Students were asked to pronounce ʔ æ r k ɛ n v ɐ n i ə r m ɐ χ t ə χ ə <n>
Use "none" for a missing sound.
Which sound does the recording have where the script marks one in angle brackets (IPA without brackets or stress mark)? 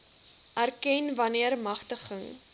ŋ